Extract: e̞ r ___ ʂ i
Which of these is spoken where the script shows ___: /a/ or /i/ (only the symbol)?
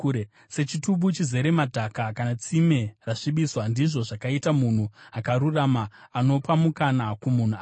a